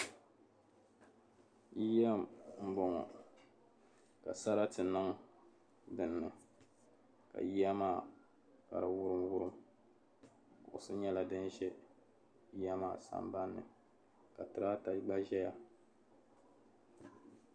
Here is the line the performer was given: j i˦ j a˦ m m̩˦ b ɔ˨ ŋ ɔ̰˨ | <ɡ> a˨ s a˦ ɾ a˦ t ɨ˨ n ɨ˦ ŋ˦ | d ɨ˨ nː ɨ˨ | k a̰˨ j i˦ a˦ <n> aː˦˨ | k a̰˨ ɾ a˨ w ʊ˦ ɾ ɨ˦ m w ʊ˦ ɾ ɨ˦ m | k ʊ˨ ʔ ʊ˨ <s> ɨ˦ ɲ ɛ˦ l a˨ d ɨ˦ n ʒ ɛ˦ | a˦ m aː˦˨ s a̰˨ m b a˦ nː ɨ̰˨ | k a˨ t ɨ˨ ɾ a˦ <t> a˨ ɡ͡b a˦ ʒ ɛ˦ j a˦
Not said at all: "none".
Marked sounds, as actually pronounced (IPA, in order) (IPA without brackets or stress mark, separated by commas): k, m, s, t